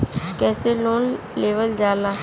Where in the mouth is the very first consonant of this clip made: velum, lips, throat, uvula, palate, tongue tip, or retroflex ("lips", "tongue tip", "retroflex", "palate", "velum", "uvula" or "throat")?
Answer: velum